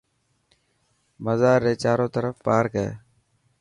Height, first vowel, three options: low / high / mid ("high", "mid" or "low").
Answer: mid